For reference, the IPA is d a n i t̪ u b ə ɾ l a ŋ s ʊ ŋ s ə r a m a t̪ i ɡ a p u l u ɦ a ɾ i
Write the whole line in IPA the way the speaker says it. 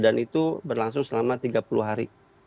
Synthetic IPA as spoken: d a n i t̪ u b ə r l a ŋ s ʊ ŋ s ə l a m a t̪ i ɡ a p u l u ɦ a ɾ i